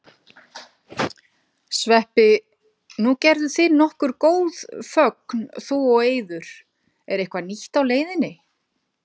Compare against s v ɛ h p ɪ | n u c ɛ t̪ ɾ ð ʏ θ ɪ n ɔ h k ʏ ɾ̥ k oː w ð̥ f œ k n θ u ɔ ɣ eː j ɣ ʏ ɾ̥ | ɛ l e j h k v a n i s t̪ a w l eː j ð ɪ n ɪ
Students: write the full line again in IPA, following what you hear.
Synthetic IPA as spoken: s v ɛ h p ɪ | n u c ɛ ɾ ð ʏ θ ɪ n ɔ h k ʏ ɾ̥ k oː w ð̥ f œ k n θ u ɔ ɣ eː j ð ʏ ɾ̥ | ɛ ɾ e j h k v a n i h t̪ a w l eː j ð ɪ n ɪ